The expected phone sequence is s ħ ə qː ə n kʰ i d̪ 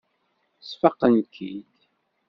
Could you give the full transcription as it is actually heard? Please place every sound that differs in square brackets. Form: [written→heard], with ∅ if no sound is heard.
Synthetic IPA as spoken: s [ħ→f] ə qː ə n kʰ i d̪